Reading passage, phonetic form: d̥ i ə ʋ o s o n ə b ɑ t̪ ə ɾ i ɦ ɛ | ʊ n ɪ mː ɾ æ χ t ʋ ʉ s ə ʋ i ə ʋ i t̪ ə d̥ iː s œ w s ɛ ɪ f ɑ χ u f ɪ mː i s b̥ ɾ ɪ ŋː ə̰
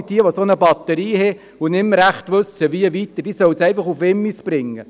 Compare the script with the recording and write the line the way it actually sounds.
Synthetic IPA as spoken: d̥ i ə ʋ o s o n ə b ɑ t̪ ə ɾ iː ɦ ɛ | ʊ n ɪ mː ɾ æ χ t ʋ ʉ s ə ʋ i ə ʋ i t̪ ə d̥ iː s œ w s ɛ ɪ f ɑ χ u f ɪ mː i s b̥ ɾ ɪ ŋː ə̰

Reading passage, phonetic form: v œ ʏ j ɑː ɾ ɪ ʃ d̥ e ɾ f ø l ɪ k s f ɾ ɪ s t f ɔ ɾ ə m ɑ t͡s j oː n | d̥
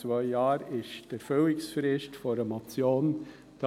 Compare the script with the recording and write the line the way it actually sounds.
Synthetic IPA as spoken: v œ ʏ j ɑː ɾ ɪ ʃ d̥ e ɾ f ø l ɪ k s f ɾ ɪ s t f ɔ ɾ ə m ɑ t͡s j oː n | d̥

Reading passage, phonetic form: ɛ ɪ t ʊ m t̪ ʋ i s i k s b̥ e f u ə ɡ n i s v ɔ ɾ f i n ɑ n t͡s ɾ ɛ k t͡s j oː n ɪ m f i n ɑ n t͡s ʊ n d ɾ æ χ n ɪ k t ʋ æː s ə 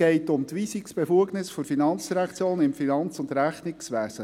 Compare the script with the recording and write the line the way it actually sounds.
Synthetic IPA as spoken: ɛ ɪ t ʊ m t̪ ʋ i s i k s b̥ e f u ə ɡ n ɪ s f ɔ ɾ f i n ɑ n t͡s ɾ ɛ k t͡s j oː n ɪ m f i n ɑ n t͡s ʊ n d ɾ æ χ n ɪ k s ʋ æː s ə

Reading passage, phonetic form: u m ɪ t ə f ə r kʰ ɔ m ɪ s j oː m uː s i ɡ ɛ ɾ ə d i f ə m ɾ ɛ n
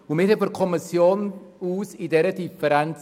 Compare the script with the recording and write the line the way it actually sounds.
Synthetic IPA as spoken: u m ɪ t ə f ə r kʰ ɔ m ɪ s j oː n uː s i d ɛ ɾ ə d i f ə ɾ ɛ n

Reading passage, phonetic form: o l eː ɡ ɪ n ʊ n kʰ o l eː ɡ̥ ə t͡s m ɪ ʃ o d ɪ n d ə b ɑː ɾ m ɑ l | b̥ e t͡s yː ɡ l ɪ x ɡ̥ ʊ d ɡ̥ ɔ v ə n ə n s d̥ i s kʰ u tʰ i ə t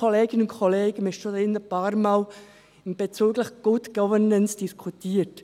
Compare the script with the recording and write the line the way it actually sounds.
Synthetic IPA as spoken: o l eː ɡ ɪ n ʊ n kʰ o l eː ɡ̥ ə m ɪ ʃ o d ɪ n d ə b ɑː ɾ m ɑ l | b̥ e t͡s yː ɡ l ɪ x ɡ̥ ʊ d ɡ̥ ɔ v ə n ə n s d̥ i s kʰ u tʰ iː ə t

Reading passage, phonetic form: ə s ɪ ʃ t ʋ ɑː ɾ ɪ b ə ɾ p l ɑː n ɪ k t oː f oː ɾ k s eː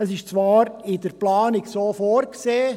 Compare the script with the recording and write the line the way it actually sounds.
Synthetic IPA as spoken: ə s ɪ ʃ t͡s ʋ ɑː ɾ ɪ d ə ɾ p l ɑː n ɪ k s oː f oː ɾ k s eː

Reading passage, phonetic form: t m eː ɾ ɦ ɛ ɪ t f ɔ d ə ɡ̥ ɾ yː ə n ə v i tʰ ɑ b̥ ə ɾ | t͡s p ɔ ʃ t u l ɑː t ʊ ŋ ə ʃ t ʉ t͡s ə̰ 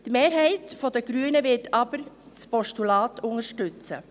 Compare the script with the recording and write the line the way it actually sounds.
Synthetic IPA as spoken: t m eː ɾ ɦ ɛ ɪ t f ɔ d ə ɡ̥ ɾ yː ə n ə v ɪ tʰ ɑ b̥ ə ɾ | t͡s p ɔ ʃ t u l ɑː t ʊ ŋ ə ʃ t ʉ t͡s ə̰

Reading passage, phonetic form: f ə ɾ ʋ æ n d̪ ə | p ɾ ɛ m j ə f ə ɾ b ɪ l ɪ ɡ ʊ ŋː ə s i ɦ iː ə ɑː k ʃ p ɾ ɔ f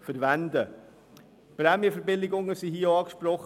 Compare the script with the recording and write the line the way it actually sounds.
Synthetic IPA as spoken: f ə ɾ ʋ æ n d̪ ə | p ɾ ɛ m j ə f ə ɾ b ɪ l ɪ ɡ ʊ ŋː ə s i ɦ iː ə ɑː k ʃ p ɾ ɔ χ

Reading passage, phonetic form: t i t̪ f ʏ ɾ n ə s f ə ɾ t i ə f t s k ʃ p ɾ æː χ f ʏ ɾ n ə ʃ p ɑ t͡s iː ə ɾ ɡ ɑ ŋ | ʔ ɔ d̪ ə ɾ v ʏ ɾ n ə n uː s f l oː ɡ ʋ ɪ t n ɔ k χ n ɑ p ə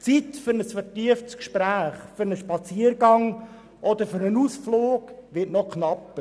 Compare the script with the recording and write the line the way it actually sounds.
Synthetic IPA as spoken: t͡s i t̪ f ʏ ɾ n ə s f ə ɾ t i ə f t s k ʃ p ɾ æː χ f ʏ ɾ n ə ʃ p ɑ t͡s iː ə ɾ ɡ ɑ ŋ | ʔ ɔ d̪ ə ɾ f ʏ ɾ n ə n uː s f l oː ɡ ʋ ɪ t n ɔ k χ n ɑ p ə

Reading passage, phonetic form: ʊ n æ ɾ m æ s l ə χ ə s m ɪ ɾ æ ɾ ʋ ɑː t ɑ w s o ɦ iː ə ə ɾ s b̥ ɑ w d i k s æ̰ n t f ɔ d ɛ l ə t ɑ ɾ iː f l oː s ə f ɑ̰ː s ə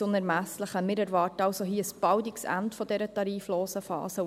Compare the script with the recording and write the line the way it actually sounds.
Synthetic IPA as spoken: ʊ n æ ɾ m æ s l ə χ ə m ɪ ɾ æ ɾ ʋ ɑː t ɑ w s o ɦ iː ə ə s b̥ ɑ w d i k s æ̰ n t f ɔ d ɛ ɾ ə t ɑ ɾ iː f l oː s ə f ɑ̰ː s ə

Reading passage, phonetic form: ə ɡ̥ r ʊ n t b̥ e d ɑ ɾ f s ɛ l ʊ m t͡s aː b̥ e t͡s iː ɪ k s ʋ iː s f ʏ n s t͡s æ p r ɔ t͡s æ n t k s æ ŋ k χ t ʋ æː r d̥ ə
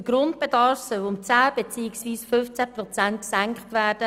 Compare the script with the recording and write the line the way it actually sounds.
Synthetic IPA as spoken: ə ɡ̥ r ʊ n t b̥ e d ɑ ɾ f s œ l ʊ m t͡s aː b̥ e t͡s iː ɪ k s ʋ iː s f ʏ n f t͡s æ p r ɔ t͡s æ n t k s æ ŋ k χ t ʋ æː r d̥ ə

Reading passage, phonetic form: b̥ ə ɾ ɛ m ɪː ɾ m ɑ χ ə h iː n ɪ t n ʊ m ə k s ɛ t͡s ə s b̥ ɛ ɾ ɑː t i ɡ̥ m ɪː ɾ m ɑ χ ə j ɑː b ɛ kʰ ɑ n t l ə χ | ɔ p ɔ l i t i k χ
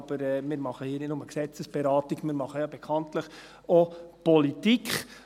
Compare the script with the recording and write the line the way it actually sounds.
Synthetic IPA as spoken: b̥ ə ɾ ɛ m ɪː ɾ m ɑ χ ə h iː n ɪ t n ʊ m ə k s ɛ t͡s ə s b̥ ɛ ɾ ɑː t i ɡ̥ m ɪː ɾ m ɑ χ ə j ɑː b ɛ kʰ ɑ n t l ə χ | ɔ p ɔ l i t i k χ

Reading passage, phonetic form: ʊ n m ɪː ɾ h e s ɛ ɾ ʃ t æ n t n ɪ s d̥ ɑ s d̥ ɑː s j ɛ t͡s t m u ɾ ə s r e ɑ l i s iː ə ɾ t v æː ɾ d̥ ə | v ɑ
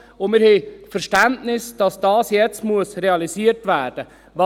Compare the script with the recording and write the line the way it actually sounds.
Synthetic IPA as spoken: ʊ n m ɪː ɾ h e f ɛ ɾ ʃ t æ n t n ɪ s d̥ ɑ s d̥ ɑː s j ɛ t͡s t m u ə s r e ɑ l i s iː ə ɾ t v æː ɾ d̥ ə | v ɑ

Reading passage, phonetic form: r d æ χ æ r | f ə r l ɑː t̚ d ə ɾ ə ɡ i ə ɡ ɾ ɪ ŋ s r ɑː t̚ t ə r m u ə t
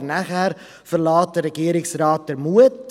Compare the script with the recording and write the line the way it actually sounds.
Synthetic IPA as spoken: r n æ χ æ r | f ə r l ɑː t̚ d ə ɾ ə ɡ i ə ɾ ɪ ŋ s r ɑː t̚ d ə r m u ə t

